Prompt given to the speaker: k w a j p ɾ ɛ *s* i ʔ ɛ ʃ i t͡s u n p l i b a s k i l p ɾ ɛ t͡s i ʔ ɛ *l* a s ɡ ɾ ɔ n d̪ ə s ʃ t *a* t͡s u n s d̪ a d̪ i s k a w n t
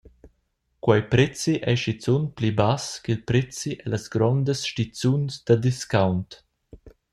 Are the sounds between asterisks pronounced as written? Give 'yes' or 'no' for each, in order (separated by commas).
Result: no, yes, no